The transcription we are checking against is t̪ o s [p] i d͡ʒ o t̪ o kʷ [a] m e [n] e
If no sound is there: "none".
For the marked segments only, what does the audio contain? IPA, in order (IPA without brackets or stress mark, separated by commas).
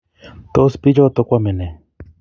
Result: p, a, n